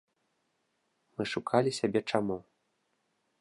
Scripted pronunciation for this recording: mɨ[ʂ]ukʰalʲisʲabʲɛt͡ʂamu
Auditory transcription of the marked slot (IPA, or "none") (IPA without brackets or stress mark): ʂ